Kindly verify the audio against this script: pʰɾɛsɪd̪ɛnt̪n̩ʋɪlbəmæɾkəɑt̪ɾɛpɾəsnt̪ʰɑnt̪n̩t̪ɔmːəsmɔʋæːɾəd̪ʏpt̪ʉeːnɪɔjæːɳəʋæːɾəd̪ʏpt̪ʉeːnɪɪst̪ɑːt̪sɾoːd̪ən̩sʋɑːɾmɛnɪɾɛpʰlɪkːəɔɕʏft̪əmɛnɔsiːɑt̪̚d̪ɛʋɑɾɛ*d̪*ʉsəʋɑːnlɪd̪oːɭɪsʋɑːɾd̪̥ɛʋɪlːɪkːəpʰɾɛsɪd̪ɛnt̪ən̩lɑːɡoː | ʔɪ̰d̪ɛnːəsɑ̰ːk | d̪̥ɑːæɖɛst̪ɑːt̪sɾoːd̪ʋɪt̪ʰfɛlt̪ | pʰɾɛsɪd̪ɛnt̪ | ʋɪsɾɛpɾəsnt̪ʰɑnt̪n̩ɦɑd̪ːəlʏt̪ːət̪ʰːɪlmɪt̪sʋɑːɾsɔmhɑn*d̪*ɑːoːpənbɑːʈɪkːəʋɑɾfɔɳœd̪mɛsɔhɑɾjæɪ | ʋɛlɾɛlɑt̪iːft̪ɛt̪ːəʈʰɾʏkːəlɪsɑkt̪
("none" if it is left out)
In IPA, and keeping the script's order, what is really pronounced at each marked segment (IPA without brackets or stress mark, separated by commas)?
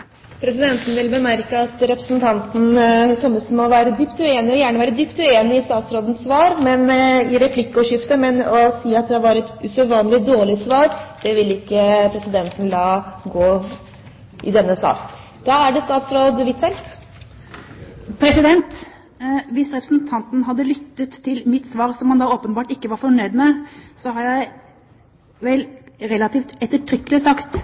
t̪, d̪